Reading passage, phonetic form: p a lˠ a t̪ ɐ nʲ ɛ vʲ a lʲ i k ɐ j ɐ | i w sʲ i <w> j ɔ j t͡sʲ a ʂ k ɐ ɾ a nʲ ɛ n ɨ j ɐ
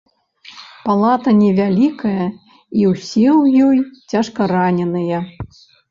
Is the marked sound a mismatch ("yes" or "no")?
no